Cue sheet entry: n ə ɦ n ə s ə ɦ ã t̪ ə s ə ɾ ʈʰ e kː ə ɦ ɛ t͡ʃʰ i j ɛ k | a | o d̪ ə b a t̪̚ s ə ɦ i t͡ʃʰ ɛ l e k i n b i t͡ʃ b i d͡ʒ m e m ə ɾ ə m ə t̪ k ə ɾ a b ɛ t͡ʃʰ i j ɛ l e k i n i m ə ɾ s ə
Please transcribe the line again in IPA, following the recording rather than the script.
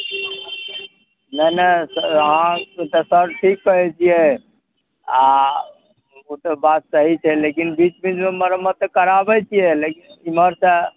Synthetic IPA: n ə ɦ n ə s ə ɦ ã t̪ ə s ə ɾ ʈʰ i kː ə ɦ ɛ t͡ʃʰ i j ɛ | a | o t̪ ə b a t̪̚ s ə ɦ i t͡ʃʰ ɛ l e k i n b i t͡ʃ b i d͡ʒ m e m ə ɾ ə m ə t̪ k ə ɾ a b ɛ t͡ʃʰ i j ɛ l e k i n i m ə ɾ s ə